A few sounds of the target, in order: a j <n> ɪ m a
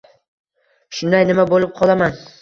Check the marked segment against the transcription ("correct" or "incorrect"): correct